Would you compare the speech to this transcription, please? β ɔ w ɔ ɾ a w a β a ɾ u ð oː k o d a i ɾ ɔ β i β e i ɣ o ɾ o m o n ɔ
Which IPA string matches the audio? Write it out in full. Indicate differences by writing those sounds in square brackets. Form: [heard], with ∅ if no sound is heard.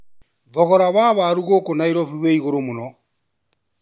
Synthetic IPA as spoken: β ɔ [ɣ] ɔ ɾ a [β] a β a ɾ u [ɣ] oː k o [n] a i ɾ ɔ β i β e i ɣ o ɾ o m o n ɔ